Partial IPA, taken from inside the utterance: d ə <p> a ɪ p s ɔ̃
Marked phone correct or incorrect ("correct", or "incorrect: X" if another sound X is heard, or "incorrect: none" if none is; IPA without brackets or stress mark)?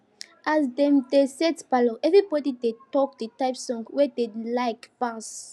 incorrect: t